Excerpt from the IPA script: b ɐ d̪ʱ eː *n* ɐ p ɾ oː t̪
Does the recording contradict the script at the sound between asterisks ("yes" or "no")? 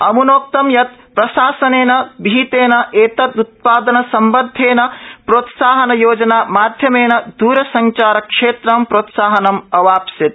no